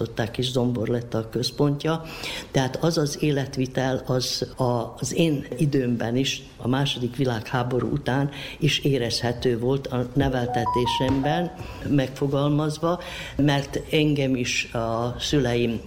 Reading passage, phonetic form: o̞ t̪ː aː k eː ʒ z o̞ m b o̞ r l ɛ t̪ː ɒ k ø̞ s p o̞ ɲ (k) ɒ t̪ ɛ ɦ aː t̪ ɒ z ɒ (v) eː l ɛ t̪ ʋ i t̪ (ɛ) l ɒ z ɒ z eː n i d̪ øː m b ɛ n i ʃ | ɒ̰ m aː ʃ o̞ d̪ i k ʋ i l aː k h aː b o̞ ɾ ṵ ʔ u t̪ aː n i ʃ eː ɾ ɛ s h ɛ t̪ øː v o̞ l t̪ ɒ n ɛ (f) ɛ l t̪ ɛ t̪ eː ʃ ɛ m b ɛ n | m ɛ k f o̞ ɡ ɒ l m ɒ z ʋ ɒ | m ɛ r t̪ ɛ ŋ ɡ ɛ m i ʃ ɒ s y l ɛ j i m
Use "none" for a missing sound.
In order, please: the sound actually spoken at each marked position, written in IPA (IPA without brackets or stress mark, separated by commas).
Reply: c, z, ɛ, v